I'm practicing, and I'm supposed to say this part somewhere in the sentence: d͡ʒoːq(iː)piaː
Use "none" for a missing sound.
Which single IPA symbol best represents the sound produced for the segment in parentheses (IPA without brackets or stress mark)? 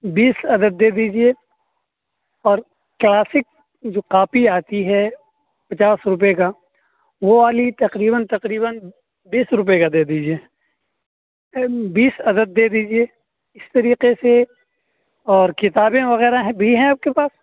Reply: aː